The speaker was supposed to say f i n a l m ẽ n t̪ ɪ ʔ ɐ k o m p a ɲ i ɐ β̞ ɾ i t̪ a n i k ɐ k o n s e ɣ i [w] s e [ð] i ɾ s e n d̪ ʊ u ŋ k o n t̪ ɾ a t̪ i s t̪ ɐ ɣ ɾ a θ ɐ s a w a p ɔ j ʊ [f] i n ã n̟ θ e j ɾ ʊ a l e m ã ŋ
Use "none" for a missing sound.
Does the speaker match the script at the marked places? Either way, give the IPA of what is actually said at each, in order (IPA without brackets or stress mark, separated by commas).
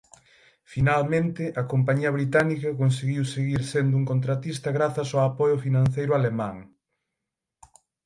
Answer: w, ɣ, f